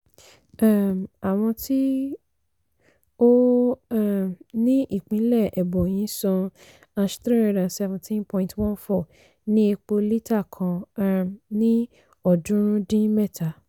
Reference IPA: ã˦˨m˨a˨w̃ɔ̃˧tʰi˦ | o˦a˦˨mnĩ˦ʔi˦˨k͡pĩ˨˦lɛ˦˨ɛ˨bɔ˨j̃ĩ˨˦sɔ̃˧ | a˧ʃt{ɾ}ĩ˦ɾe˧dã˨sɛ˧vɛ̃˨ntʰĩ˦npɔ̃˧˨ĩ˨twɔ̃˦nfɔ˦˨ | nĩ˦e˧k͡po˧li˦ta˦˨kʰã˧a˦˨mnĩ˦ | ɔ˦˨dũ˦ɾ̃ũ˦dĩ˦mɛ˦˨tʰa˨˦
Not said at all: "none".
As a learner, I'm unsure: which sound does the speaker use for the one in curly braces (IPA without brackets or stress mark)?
ɾ